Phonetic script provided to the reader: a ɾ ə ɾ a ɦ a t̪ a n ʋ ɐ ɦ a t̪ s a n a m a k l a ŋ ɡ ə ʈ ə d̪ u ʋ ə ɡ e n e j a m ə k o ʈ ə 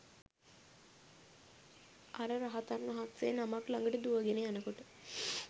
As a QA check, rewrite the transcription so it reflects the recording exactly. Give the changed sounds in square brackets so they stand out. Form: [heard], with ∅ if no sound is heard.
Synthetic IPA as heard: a ɾ ə ɾ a ɦ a t̪ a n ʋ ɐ ɦ a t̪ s [e] n a m a k l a ŋ ɡ ə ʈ ə d̪ u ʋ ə ɡ e n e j a [n] ə k o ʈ ə